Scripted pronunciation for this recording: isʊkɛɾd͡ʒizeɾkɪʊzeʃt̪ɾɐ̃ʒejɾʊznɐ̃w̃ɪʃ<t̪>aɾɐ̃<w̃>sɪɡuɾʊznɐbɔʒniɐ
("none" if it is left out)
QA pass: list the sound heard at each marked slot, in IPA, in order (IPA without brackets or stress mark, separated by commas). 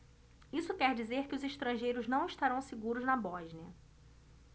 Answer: t̪, w̃